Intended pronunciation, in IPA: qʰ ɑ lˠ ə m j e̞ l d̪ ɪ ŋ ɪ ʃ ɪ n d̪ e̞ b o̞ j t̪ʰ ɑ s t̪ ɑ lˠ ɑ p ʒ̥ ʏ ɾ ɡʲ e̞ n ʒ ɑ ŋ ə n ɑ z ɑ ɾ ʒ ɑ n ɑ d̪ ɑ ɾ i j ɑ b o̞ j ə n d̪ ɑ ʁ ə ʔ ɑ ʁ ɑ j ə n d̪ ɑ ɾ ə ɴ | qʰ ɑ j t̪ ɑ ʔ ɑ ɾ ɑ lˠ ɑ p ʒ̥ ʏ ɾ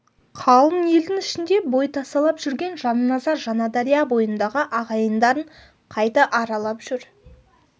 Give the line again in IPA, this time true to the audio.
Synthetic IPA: qʰ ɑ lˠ ə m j e̞ l d̪ ɪ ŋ ɪ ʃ ɪ n d̪ e̞ b o̞ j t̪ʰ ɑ s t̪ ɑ lˠ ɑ p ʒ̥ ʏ ɾ ɡʲ e̞ n ʒ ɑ n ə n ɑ z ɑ ɾ ʒ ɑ n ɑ d̪ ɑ ɾ i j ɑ b o̞ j ə n d̪ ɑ ʁ ə ʔ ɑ ʁ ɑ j ə n d̪ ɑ ɾ ə ɴ | qʰ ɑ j t̪ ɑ ʔ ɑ ɾ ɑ lˠ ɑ p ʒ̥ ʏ ɾ

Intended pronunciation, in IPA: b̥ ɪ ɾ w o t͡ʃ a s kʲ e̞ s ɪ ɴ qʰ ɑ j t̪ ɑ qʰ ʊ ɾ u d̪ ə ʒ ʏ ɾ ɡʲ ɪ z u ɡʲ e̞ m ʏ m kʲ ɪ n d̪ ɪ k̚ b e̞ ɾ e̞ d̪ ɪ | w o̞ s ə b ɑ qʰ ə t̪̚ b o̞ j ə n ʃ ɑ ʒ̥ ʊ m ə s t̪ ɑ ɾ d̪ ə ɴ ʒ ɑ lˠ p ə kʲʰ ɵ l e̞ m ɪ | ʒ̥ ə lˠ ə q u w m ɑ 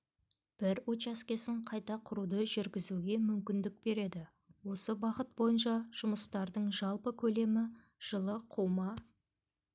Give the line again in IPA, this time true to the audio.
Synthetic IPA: b̥ ɪ ɾ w o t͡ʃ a s kʲ e̞ s ɪ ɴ qʰ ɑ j t̪ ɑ qʰ ʊ ɾ u d̪ ə ʒ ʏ ɾ ɡʲ ɪ z u ɡʲ e̞ m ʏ m kʲ ɪ n d̪ ɪ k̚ b e̞ ɾ e̞ d̪ ɪ | w o̞ s ə b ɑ q ə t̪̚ b o̞ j ə n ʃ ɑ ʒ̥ ʊ m ə s t̪ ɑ ɾ d̪ ə ɴ ʒ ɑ lˠ p ə kʲʰ ɵ l e̞ m ɪ | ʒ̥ ə lˠ ə qʰ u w m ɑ

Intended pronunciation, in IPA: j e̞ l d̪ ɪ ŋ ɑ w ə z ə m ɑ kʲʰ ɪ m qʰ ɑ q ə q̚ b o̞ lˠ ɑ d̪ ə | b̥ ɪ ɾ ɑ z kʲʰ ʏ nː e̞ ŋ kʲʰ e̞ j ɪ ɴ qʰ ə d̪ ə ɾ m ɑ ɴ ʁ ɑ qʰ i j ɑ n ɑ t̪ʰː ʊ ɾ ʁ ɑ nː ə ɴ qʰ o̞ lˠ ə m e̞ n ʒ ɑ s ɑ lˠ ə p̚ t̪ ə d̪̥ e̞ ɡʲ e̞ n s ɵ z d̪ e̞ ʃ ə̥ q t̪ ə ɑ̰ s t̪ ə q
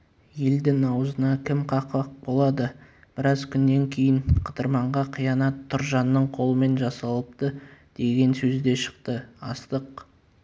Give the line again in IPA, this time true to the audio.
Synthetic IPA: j e̞ l d̪ ɪ ŋ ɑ w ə z ə n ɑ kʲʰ ɪ m qʰ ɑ q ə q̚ b o̞ lˠ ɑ d̪ ə | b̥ ɪ ɾ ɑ z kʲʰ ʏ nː e̞ ŋ kʲʰ e̞ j ɪ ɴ qʰ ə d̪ ə ɾ m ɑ ɴ ʁ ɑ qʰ i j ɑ n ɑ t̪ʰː ʊ ɾ ʒ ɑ nː ə ɴ qʰ o̞ lˠ ə m e̞ n ʒ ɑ s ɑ lˠ ə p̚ t̪ ə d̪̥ e̞ ɡʲ e̞ n s ɵ z d̪ e̞ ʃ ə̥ q t̪ ə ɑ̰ s t̪ ə q

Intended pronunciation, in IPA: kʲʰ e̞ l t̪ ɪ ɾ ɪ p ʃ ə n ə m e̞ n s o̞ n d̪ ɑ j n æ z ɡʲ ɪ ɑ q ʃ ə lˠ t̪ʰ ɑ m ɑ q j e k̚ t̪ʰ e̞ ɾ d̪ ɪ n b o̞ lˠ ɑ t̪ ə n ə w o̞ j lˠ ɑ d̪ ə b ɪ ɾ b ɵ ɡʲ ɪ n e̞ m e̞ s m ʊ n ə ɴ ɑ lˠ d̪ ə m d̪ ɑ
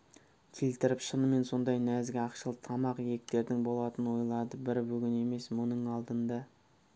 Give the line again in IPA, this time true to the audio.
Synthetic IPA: kʲʰ e̞ l t̪ ɪ ɾ ɪ p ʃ ə n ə m e̞ n s o̞ n d̪ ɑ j n æ z ɡʲ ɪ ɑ q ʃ ə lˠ t̪ʰ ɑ m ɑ q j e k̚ t̪ e̞ ɾ d̪ ɪ ŋ b o̞ lˠ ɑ t̪ ə n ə w o̞ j lˠ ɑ d̪ ə b ɪ ɾ b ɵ ɡʲ ɪ n e̞ m e̞ s m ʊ n ə ɴ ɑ lˠ d̪ ə n d̪ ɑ

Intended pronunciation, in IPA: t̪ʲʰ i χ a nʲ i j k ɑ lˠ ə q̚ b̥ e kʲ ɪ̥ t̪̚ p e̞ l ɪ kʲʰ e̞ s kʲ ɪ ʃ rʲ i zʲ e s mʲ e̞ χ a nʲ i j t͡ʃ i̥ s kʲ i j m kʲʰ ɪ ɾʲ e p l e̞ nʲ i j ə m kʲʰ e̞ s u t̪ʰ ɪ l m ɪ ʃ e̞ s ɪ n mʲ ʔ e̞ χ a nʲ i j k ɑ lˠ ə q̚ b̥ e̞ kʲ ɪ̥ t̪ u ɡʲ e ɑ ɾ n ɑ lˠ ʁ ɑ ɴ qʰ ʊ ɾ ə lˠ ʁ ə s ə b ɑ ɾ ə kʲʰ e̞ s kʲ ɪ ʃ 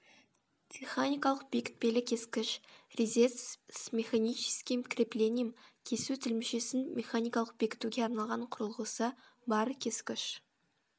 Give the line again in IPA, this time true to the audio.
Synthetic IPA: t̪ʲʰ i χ a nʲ i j k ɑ lˠ ə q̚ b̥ e kʲ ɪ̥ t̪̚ p e̞ l ɪ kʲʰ e̞ s kʲ ɪ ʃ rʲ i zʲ e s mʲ e̞ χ a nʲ i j t͡ʃ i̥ s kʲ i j m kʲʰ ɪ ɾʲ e p l e̞ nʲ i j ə m kʲʰ e̞ s u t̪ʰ ɪ l m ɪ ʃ e̞ s ɪ n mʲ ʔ e̞ χ a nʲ i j k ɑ lˠ ə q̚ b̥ e̞ kʲ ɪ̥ t̪ u ɡʲ e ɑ ɾ n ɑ lˠ ʁ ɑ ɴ qʰ ʊ ɾ ə lˠ ʁ ə s ə b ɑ ɾ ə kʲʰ e̞ s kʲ ɪ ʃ

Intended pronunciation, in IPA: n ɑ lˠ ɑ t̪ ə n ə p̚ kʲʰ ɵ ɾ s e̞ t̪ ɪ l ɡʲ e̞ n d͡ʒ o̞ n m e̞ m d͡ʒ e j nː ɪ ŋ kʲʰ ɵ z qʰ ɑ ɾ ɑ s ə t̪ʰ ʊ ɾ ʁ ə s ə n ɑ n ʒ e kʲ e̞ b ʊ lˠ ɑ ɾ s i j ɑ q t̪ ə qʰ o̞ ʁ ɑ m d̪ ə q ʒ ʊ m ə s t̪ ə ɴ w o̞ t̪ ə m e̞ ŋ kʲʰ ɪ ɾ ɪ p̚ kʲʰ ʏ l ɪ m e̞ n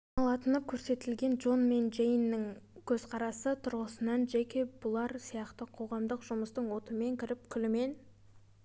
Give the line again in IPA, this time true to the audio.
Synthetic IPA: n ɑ lˠ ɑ t̪ ə n ə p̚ kʲʰ ɵ ɾ s e̞ t̪ ɪ l ɡʲ e̞ n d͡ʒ o̞ n m e̞ n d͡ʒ e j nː ɪ ŋ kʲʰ ɵ z qʰ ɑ ɾ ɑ s ə t̪ʰ ʊ ɾ ʁ ə s ə n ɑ n ʒ e kʲ e̞ b ʊ lˠ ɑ ɾ s i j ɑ q t̪ ə qʰ o̞ ʁ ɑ m d̪ ə q ʒ ʊ m ə s t̪ ə ɴ w o̞ t̪ ə m e̞ ŋ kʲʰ ɪ ɾ ɪ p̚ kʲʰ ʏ l ɪ m e̞ n

